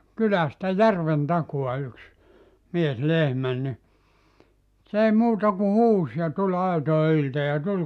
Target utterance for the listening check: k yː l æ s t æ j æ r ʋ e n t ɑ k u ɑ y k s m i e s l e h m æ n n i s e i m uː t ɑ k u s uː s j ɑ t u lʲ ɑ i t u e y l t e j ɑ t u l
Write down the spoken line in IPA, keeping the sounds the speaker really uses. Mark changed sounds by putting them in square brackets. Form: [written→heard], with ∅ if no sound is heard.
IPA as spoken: k [yː→y] l æ s t æ j æ r ʋ e n t ɑ k u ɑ y k s m i e s l e h m æ n n i s e i m uː t ɑ k u [s→h] uː s j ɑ t u lʲ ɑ i t [u→o] e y l t e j ɑ t u l

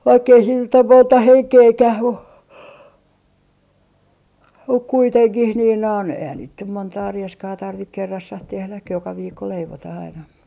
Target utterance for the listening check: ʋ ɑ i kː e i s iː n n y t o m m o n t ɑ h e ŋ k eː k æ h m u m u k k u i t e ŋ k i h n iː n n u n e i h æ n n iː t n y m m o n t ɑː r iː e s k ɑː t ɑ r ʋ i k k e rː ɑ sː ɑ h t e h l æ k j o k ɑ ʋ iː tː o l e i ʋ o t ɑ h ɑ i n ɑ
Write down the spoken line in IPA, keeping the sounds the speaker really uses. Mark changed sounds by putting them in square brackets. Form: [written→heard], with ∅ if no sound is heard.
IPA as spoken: ʋ ɑ i kː e i s iː n n y t o m m o n t ɑ h e ŋ k eː k æ h m u m u k k u i t e ŋ k i h n iː n n [u→o] n e i h æ n n iː t n y m m o n t ɑː r [iː→i] e s k ɑː t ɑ r ʋ i k k e rː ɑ sː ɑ h t e h l æ k j o k ɑ ʋ iː [tː→kː] o l e i ʋ o t ɑ h ɑ i n ɑ

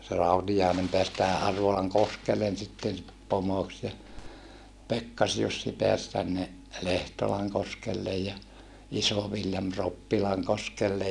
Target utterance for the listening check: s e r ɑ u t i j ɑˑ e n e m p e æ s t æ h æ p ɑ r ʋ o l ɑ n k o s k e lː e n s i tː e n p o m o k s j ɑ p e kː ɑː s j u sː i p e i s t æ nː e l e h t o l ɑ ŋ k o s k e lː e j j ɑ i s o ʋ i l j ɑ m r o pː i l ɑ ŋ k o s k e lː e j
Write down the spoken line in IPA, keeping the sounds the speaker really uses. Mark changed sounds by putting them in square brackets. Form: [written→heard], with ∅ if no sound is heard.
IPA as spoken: s e r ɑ u t i j ɑˑ e n e m p e æ s t æ h æ [p→ʔ] ɑ r ʋ o l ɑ [n→ŋ] k o s k e lː e n s i tː e n p o m o k s j ɑ p e kː [ɑː→ɑ] s j u sː i p e [i→æ] s t æ nː e l e h t o l ɑ ŋ k o s k e lː e j j ɑ i s o ʋ i l j ɑ m r o pː i l ɑ ŋ k o s k e lː e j

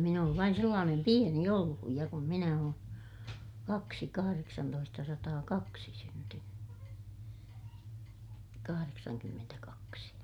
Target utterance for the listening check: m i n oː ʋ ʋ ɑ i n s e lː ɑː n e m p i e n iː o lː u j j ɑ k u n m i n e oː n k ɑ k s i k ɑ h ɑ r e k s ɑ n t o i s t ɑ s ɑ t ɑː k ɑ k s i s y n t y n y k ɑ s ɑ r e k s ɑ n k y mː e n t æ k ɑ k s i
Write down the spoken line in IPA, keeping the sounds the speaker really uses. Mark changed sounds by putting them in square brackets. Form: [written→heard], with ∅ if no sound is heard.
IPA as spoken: m i n oː ʋ ʋ ɑ i n s e lː ɑː n e m p i e n [iː→i] o lː u j j ɑ k u n m i n [e→æ] oː n k ɑ k s i k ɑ h ɑ r e k s ɑ n t o i s t ɑ s ɑ t ɑː k ɑ k s i s y n t y n y k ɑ [s→h] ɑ r e k s ɑ n k y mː e n t æ k ɑ k s i

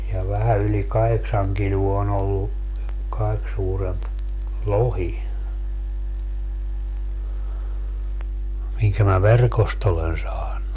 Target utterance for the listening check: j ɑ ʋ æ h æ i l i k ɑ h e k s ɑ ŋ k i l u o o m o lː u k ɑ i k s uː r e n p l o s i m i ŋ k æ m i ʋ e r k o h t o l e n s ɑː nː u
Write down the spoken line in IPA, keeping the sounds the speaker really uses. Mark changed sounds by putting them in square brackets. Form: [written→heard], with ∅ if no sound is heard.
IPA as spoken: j ɑ ʋ æ h æ [i→y] l i k ɑ h e k s ɑ ŋ k i l u o o [m→n] o lː u k ɑ i k s uː r e [n→m] p l o [s→h] i m i ŋ k æ m [i→æ] ʋ e r k o [h→s] t o l e n s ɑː nː u

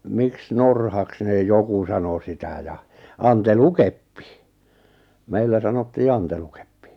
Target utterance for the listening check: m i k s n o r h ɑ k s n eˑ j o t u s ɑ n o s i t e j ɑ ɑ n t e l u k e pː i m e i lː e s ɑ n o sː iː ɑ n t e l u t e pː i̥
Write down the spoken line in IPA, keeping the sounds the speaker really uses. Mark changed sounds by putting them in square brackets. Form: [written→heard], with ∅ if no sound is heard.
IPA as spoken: m i k s n o r h ɑ k s n eˑ j o [t→k] u s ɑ n o s i t [e→æ] j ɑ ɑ n t e l u k e pː i m e i lː [e→æ] s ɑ n o [sː→tː] iː ɑ n t e l u [t→k] e pː i̥

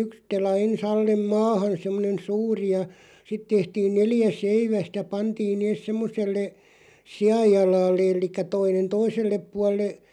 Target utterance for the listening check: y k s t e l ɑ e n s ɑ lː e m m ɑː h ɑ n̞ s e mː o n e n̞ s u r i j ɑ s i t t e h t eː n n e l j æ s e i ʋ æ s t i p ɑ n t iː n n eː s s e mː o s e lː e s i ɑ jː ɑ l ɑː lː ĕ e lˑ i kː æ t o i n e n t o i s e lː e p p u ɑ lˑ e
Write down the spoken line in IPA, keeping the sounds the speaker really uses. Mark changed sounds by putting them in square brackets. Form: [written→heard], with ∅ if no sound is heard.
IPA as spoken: y k s t e l ɑ e n s ɑ lː e m m ɑː h ɑ n̞ s e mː o n e n̞ s [u→uː] r i j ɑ s i t t e h t [eː→iː] n n e l j æ s e i ʋ æ s t [i→æ] p ɑ n t iː n n eː s s e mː o s e lː e s i ɑ jː ɑ l ɑː lː ĕ e lˑ i kː æ t o i n e n t o i s e lː e p p u ɑ lˑ e

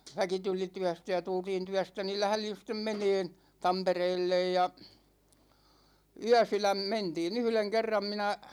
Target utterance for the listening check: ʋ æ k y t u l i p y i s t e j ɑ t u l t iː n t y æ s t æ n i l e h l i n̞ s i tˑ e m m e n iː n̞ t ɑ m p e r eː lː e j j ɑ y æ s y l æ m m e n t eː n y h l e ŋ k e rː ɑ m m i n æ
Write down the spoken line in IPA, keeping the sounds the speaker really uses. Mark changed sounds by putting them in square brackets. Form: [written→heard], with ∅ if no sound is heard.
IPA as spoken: ʋ æ k [y→i] t u l i [p→t] y [i→æ] s t [e→æ] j ɑ t u l t iː n t y æ s t æ n i l [e→æ] h l i n̞ s i tˑ e m m e n [iː→eː] n̞ t ɑ m p e r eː lː e j j ɑ y æ s y l æ m m e n t [eː→iː] n y h l e ŋ k e rː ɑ m m i n æ

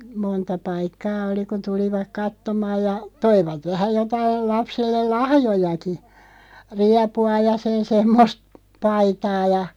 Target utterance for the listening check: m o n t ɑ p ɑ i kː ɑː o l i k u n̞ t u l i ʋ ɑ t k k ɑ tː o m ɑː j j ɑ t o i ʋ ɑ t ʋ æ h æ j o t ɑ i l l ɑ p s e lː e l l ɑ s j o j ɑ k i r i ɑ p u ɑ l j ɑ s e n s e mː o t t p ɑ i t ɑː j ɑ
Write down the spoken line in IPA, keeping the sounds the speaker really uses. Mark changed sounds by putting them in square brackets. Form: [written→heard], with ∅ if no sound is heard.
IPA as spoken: m o n t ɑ p ɑ i kː ɑː o l i k u n̞ t u l i ʋ ɑ [t→∅] k k ɑ tː o m ɑː j j ɑ t o i ʋ ɑ t ʋ æ h æ j o t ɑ i l l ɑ p s e lː e l l ɑ [s→h] j o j ɑ k i r i ɑ p u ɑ [l→∅] j ɑ s e n s e mː o [t→s] t p ɑ i t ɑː j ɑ

